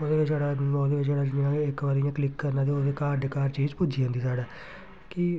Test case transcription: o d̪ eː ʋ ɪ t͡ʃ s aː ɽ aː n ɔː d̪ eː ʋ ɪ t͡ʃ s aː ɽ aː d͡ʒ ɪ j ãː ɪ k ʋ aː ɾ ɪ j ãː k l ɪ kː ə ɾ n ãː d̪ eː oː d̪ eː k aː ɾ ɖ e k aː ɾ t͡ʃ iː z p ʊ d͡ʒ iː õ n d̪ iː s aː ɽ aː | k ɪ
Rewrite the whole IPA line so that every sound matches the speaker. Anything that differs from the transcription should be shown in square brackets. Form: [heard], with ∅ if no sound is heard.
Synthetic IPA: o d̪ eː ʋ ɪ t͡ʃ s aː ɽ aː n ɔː d̪ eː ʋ ɪ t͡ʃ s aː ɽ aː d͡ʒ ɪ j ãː ɪ k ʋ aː ɾ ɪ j ãː k l ɪ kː ə ɾ n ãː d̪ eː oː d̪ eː k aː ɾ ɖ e k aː ɾ t͡ʃ iː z p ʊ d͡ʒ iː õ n d̪ iː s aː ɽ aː | k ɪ

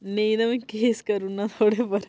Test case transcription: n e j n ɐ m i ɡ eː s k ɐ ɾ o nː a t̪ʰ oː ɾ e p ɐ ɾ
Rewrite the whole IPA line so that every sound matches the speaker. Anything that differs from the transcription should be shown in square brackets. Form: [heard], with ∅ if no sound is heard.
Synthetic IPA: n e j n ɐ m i [k] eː s k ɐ ɾ [u] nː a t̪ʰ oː [ɽ] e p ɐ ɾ

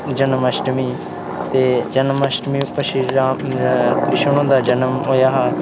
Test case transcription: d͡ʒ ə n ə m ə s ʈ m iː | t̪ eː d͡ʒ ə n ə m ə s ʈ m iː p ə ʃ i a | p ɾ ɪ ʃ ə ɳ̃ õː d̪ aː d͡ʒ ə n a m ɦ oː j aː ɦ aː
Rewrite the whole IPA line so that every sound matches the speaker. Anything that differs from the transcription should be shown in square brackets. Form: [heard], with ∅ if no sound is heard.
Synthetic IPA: d͡ʒ ə n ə m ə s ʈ m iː | t̪ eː d͡ʒ ə n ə m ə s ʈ m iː p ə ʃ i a | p ɾ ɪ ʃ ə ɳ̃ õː d̪ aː d͡ʒ ə n [ə] m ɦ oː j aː ɦ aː

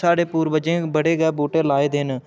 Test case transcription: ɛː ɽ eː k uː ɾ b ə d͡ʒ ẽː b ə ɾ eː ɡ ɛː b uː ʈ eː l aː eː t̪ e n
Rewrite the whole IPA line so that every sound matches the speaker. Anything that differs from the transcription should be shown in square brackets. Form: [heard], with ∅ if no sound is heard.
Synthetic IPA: [aː] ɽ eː [p] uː ɾ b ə d͡ʒ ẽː b ə [ɽ] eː ɡ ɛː b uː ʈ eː l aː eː [d̪] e n

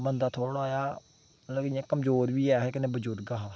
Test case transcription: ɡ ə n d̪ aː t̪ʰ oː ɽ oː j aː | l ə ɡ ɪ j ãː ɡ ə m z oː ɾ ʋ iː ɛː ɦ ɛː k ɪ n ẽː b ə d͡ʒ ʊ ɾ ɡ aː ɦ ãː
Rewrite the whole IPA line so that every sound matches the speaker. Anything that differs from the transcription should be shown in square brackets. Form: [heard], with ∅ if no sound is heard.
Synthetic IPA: [b] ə n d̪ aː t̪ʰ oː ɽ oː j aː | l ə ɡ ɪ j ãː [k] ə m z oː ɾ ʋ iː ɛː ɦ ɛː k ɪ n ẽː b ə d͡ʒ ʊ ɾ ɡ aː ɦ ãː

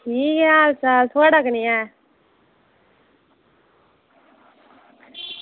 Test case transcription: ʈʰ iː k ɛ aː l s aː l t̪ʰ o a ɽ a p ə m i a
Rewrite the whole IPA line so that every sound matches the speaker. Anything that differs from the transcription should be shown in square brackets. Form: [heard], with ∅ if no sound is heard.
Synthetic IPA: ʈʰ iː k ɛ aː l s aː l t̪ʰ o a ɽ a [k] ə [n] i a

